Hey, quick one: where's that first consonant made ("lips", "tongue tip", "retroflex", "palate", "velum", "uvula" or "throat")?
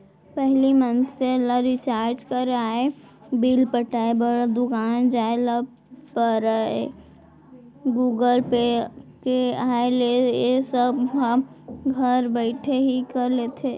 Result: lips